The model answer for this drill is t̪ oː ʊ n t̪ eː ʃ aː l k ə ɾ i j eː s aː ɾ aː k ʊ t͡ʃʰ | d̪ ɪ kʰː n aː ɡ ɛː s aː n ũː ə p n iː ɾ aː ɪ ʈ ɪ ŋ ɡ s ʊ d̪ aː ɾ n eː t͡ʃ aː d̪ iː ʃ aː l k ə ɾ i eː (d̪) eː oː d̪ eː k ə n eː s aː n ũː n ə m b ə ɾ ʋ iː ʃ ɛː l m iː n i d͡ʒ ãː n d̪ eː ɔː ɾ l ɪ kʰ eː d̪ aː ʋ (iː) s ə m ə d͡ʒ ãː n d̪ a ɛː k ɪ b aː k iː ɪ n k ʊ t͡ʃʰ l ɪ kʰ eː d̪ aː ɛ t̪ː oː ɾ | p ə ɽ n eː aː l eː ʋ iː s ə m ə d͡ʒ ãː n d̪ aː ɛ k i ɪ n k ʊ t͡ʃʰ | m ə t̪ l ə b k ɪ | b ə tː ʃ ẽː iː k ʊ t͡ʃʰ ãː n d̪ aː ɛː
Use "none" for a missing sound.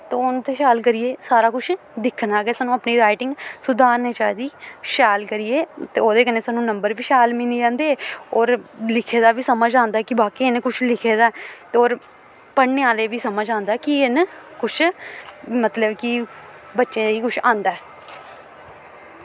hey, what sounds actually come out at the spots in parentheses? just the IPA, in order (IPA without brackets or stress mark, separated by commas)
t̪, iː